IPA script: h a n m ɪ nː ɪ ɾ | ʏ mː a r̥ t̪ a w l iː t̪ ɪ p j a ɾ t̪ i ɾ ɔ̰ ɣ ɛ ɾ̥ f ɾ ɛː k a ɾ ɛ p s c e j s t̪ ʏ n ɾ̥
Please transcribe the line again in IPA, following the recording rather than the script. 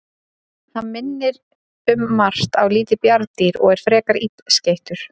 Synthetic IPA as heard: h a n m ɪ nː ɪ ɾ | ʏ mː a r̥ t̪ a w l iː t̪ ɪ p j a ɾ t̪ i ɾ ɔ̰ ɣ ɛ ɾ̥ f ɾ ɛː k a ɾ i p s c e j h t̪ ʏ ɾ̥